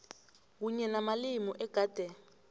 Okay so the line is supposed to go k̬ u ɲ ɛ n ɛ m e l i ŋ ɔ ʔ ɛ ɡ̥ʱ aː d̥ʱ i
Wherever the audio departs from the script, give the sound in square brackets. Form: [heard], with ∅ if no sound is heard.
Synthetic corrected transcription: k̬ u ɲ ɛ n [a] m [a] l i [m] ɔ ʔ ɛ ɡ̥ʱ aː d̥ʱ [ɛ]